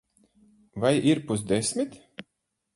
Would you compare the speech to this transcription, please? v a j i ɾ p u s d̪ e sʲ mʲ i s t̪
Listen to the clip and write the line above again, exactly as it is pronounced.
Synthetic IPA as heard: v a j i ɾ p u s d̪ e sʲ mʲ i t̪